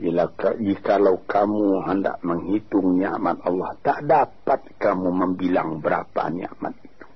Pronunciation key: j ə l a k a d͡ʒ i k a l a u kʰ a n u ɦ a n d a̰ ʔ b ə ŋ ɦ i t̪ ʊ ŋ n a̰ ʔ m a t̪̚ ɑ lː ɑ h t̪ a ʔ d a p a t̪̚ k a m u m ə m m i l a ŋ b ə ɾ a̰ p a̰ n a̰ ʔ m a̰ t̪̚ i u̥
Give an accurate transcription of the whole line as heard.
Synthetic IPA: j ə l a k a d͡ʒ i k a l a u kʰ a m u ɦ ə n d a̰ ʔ m ə ŋ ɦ i t̪ ʊ ŋ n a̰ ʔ m a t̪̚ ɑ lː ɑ h t̪ a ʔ d a p a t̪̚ k a m u m ə m b i l a ŋ b ə ɾ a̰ p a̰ n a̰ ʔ m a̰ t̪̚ i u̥